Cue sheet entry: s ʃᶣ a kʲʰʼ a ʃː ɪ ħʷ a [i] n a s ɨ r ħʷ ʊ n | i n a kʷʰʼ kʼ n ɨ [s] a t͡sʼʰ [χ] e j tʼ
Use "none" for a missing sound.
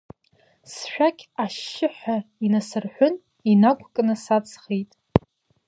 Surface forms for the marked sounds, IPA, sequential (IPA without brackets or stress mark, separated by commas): i, s, χ